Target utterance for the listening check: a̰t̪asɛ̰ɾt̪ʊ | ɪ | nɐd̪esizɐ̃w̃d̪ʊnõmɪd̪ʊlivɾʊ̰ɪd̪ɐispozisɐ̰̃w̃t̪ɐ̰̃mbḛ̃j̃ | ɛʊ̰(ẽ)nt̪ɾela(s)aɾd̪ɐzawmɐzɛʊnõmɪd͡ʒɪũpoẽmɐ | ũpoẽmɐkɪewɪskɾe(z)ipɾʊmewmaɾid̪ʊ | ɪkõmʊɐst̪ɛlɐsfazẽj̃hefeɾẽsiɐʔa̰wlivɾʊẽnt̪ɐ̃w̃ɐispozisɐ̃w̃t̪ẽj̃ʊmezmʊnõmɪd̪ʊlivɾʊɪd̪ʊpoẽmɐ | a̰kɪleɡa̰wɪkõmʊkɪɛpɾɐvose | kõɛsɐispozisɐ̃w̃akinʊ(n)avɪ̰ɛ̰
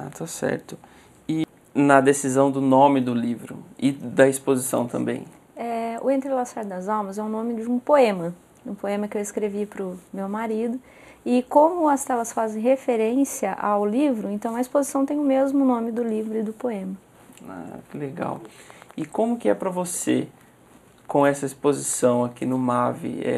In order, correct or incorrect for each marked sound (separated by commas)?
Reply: correct, correct, incorrect, incorrect